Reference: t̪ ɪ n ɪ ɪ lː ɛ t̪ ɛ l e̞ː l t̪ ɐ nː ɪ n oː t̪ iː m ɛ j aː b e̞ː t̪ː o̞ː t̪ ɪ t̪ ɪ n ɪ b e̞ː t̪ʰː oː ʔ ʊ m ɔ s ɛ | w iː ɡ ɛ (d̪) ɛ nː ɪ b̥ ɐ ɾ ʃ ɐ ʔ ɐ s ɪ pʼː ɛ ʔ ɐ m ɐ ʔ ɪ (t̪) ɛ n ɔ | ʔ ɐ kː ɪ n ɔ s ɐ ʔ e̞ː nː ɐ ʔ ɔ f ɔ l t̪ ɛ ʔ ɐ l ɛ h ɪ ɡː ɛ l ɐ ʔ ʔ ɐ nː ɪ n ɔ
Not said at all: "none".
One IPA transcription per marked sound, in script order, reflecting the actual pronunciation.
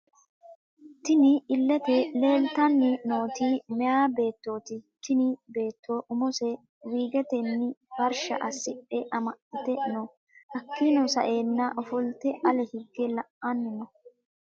t̪, t̪

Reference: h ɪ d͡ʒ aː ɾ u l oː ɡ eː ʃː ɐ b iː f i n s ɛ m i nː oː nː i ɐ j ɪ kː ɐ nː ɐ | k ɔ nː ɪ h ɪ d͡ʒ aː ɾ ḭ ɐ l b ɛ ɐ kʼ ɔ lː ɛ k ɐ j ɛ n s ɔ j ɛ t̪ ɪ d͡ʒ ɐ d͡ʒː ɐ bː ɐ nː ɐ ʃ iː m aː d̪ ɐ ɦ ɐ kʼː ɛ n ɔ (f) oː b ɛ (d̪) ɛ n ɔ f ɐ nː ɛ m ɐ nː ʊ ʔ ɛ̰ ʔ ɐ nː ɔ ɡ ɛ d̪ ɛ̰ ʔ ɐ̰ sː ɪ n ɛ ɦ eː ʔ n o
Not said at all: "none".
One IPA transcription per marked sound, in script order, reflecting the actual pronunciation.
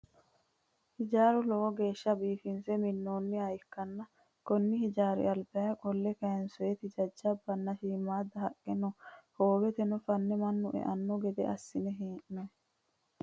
h, t̪

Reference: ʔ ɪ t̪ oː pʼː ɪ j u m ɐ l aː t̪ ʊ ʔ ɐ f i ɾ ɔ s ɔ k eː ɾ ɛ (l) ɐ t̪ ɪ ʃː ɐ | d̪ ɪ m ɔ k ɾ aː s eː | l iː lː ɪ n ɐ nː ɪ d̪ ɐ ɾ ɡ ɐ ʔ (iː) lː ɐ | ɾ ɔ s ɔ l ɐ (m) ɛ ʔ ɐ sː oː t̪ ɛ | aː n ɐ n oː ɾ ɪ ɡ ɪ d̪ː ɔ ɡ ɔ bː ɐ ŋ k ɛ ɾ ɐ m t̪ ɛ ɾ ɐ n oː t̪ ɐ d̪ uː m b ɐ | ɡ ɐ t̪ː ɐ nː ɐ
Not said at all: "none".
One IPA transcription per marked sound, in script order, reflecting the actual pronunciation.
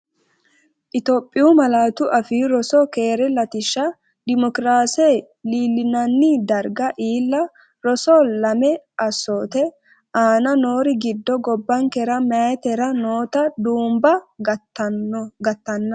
l, iː, m

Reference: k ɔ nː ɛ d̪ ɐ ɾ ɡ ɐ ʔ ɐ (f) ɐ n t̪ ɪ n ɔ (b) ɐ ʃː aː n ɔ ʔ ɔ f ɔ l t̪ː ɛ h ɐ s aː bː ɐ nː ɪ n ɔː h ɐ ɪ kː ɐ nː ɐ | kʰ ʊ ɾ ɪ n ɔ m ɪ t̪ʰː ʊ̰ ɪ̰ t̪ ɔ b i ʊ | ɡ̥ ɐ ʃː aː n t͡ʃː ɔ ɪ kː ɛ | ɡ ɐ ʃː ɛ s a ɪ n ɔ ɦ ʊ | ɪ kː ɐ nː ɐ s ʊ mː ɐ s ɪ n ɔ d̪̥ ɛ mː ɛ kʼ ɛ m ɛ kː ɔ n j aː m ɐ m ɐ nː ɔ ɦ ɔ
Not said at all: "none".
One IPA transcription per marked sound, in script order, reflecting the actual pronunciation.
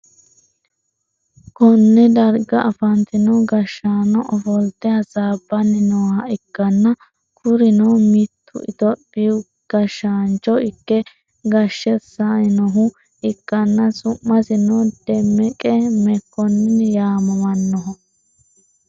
f, ɡ

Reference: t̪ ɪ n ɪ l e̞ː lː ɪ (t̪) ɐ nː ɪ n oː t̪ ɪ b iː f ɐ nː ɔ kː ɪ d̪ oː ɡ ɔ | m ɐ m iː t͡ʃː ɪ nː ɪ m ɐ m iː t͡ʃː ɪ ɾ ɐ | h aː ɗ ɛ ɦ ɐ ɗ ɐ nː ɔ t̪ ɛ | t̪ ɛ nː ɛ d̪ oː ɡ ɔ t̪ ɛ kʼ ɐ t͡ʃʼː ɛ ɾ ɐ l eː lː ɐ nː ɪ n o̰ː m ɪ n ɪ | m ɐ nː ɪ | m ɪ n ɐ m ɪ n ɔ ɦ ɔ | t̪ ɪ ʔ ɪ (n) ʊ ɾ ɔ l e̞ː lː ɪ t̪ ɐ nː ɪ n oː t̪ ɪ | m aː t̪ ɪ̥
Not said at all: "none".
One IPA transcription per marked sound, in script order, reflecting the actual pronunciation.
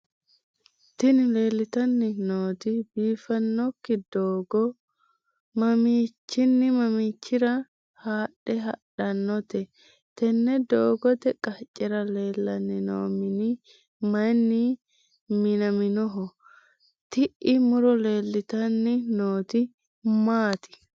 t̪, m

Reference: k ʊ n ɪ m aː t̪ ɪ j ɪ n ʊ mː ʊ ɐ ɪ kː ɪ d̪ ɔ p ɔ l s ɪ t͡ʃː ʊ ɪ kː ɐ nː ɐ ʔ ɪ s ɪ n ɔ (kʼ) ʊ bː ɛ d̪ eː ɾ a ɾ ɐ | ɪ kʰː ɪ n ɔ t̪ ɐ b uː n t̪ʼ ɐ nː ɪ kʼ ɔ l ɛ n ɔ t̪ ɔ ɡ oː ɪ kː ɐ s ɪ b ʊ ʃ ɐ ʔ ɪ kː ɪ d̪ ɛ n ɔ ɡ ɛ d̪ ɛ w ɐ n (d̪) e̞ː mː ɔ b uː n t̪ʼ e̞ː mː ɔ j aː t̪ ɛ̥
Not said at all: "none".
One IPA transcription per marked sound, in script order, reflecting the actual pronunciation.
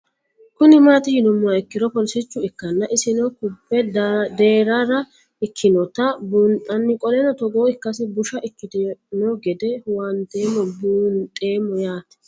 k, t̪

